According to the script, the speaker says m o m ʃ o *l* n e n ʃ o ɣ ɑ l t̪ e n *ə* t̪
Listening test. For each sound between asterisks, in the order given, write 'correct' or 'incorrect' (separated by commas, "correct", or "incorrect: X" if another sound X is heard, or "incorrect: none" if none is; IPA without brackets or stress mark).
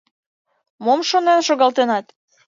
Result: incorrect: none, incorrect: ɑ